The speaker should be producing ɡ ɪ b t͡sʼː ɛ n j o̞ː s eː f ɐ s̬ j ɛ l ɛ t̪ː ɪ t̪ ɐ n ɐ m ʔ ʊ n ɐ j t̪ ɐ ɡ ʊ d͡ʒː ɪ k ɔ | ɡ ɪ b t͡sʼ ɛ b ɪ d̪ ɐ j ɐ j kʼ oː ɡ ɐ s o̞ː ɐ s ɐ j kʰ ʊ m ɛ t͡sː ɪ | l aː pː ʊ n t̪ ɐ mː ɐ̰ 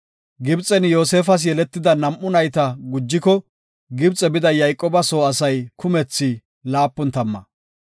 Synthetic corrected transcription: ɡ ɪ b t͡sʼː ɛ n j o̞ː s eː f ɐ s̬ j ɛ l ɛ t̪ː ɪ d̪ ɐ n ɐ m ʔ ʊ n ɐ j t̪ ɐ ɡ ʊ d͡ʒː ɪ k ɔ | ɡ ɪ b t͡sʼ ɛ b ɪ d̪ ɐ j ɐ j kʼ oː b ɐ s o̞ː ɐ s ɐ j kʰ ʊ m ɛ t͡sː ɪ | l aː pː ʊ n t̪ ɐ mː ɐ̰